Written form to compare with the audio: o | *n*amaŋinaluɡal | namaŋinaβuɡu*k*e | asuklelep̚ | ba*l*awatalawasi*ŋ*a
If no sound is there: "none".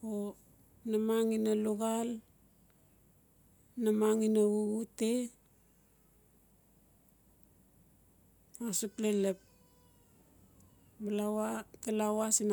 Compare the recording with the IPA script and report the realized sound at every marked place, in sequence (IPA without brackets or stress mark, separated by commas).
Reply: n, t, l, n